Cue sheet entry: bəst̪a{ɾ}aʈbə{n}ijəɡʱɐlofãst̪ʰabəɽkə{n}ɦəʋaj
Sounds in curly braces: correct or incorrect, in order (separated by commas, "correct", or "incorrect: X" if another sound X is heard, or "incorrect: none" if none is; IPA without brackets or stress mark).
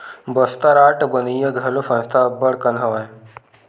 correct, correct, correct